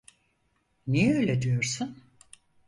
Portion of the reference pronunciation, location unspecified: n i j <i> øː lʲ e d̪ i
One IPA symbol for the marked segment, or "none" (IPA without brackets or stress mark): ɛ